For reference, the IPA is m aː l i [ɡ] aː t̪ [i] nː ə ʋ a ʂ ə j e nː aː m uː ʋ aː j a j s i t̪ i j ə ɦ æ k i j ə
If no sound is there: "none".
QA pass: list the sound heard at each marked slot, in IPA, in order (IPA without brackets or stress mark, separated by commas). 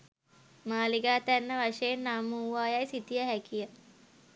ɡ, æ